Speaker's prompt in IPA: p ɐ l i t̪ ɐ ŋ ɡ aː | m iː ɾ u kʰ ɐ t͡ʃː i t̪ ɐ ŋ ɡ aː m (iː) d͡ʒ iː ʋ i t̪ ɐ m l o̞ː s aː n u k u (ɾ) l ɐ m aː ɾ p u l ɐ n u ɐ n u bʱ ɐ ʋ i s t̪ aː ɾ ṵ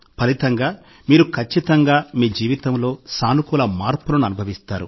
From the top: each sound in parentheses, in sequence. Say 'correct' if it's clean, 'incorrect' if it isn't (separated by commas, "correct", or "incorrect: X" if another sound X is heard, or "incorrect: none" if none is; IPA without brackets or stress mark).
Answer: correct, incorrect: none